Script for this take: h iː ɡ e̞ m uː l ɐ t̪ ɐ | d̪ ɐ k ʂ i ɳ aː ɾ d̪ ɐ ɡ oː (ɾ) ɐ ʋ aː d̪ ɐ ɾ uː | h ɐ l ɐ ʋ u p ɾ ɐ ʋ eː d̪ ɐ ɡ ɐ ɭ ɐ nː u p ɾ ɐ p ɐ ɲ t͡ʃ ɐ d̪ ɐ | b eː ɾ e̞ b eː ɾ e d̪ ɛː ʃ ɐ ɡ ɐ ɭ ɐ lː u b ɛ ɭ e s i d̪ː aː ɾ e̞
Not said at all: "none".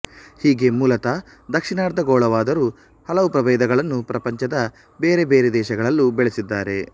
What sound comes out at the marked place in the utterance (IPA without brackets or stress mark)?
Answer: ɭ